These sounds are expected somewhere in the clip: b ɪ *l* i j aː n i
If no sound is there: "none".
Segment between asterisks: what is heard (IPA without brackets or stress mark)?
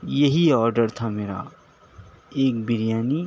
ɾ